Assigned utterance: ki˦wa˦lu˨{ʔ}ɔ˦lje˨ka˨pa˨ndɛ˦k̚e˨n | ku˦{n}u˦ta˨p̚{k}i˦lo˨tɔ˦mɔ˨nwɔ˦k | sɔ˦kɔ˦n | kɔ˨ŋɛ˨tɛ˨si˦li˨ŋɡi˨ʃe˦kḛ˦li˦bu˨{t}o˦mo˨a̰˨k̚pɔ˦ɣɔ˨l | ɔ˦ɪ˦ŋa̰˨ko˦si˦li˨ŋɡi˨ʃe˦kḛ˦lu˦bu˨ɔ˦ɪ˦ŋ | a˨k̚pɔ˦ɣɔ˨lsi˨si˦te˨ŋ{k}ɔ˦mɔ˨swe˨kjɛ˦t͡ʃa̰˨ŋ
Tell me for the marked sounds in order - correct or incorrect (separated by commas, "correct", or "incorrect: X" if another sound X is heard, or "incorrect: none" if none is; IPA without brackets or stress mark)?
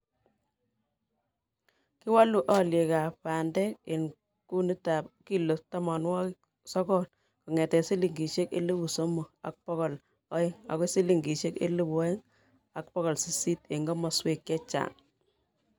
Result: correct, correct, correct, incorrect: s, incorrect: ɡ